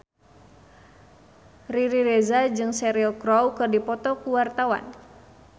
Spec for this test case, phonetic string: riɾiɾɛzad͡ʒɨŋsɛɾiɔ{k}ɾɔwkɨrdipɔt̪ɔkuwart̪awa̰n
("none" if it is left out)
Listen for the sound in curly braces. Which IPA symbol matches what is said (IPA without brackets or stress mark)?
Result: k